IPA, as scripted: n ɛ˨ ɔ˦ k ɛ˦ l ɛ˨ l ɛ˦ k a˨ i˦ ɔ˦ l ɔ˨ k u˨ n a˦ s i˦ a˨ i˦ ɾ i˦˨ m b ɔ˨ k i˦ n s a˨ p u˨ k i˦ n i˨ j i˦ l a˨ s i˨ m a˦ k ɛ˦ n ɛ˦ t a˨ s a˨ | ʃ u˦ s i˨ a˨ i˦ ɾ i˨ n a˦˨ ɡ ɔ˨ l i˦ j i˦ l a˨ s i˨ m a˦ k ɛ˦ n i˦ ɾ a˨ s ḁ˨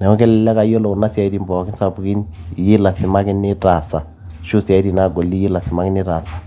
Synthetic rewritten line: n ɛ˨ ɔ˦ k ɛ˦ l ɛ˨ l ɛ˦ k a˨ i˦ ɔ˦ l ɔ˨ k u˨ n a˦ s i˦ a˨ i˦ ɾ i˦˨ m b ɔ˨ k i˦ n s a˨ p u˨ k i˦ n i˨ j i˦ l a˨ s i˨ m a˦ k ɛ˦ n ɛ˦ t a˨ s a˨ | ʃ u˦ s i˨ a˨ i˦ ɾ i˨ n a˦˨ ɡ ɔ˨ l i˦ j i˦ l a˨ s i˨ m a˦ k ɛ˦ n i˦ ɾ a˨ s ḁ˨